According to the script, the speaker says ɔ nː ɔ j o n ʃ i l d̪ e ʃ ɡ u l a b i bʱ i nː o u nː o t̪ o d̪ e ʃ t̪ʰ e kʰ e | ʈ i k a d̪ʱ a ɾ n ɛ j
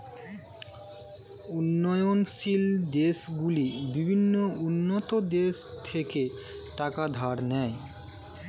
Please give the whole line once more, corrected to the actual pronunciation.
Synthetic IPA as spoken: u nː ɔ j o n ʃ i l d̪ e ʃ ɡ u l i b i bʱ i nː o u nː o t̪ o d̪ e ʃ t̪ʰ e k e | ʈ a k a d̪ʱ a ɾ n ɛ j